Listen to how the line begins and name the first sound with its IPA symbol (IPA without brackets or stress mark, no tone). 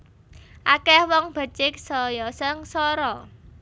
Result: ʔ